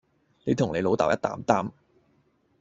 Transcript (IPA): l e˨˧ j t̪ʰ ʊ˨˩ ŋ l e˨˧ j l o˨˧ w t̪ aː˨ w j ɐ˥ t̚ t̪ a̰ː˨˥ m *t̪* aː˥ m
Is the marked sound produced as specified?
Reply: yes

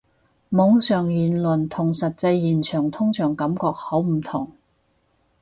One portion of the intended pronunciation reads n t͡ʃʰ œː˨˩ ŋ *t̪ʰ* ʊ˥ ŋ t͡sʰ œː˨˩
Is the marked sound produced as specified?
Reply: yes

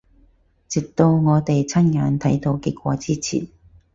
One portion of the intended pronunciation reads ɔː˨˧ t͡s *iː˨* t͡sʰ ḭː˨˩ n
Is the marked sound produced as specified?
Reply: no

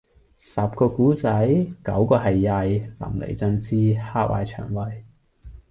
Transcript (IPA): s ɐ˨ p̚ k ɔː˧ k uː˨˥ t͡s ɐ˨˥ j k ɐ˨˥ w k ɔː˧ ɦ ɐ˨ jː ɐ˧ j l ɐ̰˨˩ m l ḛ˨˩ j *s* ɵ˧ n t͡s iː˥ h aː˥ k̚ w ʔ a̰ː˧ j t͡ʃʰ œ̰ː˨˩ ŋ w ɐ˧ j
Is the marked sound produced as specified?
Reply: no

